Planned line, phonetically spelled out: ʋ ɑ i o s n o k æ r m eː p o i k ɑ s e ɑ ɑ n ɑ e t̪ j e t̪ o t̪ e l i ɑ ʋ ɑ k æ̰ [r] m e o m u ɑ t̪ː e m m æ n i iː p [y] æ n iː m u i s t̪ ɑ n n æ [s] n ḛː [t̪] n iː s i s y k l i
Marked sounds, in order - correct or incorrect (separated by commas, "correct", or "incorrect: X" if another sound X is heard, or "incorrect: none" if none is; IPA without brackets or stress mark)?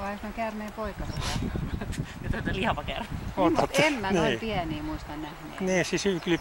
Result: correct, incorrect: i, incorrect: h, incorrect: none